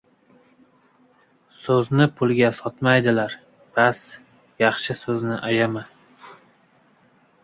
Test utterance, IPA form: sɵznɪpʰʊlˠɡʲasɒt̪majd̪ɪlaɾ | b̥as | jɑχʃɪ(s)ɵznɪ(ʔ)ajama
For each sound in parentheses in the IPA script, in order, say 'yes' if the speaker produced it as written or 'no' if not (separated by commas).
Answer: yes, yes